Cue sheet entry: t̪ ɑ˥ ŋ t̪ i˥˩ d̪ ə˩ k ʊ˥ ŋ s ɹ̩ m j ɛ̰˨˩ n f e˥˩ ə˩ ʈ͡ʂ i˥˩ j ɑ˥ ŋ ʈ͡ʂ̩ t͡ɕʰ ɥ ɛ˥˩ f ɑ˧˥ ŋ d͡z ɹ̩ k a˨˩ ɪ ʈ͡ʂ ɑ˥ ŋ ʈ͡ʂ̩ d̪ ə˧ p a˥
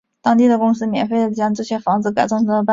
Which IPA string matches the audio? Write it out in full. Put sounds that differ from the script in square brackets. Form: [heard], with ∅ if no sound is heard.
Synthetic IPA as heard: t̪ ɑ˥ ŋ t̪ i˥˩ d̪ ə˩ k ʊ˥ ŋ s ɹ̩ m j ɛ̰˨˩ n f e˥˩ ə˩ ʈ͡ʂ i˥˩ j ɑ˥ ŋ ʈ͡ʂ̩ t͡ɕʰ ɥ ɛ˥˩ f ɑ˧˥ ŋ d͡z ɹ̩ k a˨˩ ɪ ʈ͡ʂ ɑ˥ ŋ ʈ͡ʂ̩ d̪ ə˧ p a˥